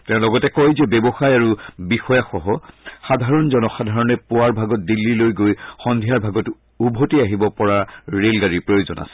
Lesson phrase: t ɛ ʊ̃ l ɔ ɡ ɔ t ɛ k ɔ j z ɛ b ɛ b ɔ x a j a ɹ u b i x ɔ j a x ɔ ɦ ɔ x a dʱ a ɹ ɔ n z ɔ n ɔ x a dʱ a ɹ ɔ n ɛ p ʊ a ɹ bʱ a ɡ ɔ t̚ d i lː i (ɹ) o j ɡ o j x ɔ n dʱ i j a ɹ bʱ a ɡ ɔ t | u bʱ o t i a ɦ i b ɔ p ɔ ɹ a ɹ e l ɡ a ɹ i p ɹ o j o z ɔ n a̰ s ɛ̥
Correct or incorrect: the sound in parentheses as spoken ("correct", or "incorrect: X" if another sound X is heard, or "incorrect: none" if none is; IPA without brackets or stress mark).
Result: incorrect: l